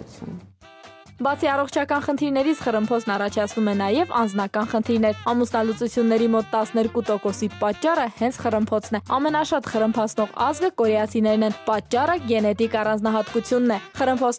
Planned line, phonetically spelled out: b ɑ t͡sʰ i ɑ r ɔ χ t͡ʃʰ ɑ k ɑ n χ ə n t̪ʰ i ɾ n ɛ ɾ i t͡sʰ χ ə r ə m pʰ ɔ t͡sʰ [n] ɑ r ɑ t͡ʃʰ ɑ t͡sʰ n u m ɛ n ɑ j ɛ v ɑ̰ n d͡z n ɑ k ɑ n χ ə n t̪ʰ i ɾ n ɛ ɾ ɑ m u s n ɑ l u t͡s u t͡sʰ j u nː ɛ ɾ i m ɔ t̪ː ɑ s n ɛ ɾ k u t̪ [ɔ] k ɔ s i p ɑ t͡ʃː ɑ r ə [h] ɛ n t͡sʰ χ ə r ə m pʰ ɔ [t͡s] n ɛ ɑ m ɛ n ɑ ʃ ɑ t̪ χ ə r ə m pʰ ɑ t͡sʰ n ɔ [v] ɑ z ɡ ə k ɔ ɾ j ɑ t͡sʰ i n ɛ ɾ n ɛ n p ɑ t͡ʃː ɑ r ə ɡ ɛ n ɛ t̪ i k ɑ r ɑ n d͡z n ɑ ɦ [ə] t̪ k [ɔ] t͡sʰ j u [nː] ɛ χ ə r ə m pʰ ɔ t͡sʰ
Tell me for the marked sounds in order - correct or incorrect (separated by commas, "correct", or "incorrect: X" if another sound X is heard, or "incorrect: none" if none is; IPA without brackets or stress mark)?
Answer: correct, correct, correct, incorrect: t͡sʰ, incorrect: ʁ, incorrect: ɑ, incorrect: u, correct